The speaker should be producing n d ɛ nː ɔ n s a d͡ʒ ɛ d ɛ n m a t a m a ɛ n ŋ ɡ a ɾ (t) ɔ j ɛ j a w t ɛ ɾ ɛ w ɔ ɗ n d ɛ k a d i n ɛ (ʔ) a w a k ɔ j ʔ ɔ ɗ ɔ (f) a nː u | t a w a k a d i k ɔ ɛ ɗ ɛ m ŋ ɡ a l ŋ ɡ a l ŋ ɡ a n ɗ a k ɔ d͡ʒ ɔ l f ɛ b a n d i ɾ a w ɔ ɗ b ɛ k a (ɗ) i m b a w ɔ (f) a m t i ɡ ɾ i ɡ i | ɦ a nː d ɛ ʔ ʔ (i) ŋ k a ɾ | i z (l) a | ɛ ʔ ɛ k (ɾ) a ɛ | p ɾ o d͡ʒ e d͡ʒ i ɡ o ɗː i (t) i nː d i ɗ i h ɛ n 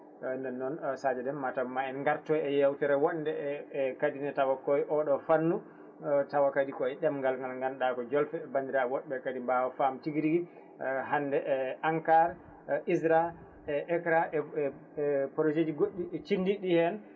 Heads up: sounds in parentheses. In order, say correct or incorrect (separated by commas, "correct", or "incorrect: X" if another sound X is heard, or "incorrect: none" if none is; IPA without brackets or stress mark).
correct, incorrect: t, correct, incorrect: d, correct, incorrect: a, incorrect: ɾ, correct, incorrect: t͡ʃ